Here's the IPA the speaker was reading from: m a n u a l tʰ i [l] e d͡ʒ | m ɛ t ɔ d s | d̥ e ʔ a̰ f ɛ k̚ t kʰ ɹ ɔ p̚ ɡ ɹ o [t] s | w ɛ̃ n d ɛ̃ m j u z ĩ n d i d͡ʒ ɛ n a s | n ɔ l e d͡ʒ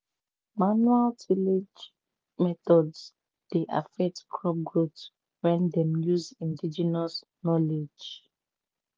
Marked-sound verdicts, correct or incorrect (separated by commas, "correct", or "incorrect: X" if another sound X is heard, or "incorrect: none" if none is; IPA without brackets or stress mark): correct, correct